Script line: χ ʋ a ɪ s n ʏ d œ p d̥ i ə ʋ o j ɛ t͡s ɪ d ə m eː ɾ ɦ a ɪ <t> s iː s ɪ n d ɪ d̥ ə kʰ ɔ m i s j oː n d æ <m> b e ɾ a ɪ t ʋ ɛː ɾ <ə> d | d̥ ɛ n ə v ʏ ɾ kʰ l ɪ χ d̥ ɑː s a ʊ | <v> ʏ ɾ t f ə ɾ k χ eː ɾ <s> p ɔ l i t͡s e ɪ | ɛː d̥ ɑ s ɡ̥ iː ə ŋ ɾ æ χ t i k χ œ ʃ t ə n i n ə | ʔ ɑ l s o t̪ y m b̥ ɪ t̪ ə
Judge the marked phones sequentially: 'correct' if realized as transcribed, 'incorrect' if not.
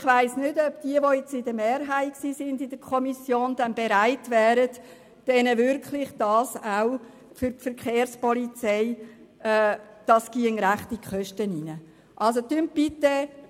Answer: incorrect: k, incorrect: n, correct, incorrect: f, correct

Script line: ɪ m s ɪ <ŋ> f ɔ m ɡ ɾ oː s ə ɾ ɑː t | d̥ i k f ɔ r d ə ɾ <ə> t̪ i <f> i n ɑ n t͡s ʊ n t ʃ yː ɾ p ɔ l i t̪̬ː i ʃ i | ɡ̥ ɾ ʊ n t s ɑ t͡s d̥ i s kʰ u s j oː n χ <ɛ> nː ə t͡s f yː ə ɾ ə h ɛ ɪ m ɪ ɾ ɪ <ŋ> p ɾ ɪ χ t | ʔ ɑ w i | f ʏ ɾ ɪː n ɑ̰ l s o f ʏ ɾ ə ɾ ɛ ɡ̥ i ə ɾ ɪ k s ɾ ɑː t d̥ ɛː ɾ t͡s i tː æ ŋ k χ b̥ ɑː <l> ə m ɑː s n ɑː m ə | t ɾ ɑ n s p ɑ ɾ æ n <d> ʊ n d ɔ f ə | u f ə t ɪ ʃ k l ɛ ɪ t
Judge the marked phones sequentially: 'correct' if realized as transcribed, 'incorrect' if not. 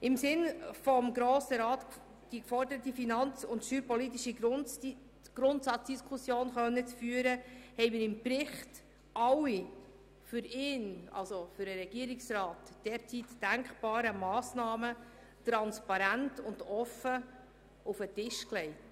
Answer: incorrect: n, correct, correct, incorrect: œ, incorrect: m, incorrect: ɾ, incorrect: t

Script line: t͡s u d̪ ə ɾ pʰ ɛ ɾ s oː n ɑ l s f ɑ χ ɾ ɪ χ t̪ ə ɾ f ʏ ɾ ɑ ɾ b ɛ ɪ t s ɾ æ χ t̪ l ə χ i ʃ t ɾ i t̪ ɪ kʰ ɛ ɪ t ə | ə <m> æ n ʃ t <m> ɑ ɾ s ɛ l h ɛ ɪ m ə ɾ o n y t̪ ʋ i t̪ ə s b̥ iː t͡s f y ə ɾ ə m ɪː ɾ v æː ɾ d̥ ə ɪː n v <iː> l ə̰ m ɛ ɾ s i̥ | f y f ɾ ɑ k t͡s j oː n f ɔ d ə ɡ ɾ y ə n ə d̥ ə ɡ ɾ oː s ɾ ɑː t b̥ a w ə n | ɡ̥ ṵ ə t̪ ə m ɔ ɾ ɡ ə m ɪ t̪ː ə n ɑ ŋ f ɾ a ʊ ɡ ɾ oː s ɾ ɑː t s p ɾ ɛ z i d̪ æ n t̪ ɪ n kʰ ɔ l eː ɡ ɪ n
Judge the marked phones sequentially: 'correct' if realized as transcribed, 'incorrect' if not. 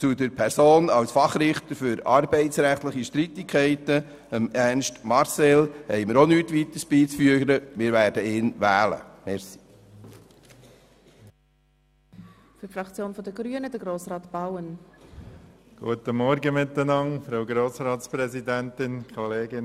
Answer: correct, correct, incorrect: æː

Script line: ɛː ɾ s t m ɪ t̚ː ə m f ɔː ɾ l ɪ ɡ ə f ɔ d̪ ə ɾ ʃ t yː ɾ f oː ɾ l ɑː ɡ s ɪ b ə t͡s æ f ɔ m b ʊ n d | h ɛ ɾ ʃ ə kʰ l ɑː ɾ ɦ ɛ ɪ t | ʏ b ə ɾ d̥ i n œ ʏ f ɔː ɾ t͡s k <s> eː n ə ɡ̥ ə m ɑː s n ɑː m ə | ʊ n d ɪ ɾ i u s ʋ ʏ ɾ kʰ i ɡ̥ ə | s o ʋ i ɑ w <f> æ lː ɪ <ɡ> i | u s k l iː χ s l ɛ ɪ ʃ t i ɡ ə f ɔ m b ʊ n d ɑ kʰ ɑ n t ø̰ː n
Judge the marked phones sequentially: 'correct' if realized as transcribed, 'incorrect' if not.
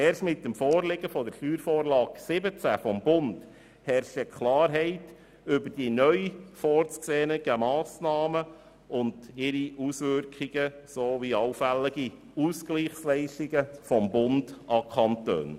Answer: correct, correct, correct

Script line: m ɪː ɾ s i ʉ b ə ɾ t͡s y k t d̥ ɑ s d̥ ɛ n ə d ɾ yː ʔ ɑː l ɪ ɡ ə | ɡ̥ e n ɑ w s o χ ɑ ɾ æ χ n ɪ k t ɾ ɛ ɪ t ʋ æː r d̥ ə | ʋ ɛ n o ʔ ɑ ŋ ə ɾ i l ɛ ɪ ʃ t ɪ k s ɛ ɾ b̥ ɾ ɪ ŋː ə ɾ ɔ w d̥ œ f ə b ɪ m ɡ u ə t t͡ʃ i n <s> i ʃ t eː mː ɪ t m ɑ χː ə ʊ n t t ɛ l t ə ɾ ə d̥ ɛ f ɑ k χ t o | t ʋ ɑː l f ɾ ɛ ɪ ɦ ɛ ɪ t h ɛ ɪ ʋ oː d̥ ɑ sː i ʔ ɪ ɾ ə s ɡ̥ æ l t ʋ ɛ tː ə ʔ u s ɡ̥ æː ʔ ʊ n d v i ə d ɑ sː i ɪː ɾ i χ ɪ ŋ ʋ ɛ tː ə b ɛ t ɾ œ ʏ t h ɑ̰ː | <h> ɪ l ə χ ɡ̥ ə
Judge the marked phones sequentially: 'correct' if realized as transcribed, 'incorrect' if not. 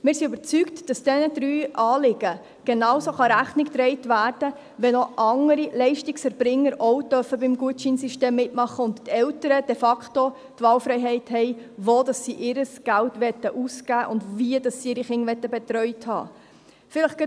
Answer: correct, incorrect: f

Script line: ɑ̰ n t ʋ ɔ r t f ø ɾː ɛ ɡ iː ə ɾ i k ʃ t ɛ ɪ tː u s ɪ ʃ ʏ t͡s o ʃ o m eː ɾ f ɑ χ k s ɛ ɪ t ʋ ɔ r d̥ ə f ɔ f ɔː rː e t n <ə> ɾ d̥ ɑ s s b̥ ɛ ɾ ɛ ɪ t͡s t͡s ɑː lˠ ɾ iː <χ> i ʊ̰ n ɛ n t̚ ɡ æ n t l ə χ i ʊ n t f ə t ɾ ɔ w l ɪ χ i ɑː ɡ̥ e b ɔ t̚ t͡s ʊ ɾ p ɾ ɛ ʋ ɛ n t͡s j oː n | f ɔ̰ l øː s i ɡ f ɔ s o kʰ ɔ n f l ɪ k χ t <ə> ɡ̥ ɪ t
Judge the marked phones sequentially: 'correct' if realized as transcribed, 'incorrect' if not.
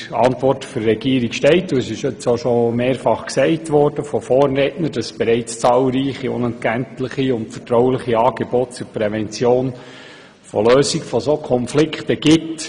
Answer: correct, correct, correct

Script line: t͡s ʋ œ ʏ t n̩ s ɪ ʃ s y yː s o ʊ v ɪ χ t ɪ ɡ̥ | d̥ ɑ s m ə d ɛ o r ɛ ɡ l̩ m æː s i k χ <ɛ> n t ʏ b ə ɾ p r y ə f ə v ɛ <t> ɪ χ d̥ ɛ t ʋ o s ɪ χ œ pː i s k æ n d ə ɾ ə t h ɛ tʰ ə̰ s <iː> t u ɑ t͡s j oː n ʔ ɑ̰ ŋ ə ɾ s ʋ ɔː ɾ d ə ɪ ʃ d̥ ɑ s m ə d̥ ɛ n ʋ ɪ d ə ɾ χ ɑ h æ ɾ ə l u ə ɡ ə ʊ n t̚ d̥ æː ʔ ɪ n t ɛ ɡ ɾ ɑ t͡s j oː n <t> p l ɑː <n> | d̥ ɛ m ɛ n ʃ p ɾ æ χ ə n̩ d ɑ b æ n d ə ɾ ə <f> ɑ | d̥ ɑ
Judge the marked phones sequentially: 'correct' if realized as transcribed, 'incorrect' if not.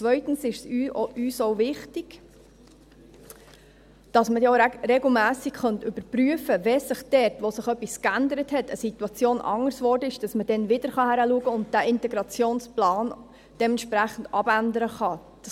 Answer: incorrect: œ, incorrect: s, incorrect: i, incorrect: s, correct, incorrect: χ

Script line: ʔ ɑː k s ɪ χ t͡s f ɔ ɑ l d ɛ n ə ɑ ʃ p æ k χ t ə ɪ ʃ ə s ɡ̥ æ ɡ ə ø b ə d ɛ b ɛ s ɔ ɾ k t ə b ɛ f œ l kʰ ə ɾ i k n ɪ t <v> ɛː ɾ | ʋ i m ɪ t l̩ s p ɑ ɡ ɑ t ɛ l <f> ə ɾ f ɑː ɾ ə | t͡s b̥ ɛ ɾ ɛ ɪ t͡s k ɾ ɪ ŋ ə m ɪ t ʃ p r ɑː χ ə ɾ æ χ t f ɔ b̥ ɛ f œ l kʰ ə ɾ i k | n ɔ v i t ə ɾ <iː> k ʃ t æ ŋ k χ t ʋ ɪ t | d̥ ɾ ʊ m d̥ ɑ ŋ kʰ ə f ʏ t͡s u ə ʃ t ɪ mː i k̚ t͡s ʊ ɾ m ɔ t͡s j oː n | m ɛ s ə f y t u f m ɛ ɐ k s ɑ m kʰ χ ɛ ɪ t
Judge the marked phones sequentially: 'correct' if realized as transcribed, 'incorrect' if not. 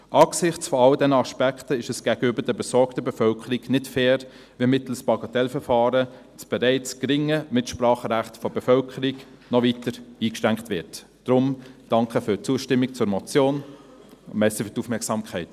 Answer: incorrect: f, correct, correct

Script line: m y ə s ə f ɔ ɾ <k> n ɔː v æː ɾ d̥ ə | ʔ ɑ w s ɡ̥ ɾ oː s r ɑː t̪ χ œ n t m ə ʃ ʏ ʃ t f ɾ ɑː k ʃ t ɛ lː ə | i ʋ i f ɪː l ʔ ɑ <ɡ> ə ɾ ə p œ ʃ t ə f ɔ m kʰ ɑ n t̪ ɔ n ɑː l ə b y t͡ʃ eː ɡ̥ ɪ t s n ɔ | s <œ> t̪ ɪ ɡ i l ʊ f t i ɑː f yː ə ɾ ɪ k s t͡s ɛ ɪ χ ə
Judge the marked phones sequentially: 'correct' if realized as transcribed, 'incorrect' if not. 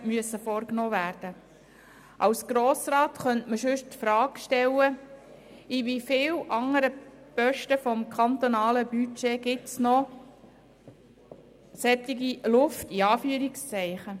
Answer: correct, incorrect: ŋ, incorrect: ɛ

